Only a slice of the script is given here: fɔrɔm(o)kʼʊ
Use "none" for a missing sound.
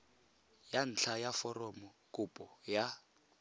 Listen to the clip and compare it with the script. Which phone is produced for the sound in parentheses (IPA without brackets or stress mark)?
ɔ